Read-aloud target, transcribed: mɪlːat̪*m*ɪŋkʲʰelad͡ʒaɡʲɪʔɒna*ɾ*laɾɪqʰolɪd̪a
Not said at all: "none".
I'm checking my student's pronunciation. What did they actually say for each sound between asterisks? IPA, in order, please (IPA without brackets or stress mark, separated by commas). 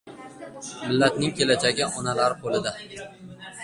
n, none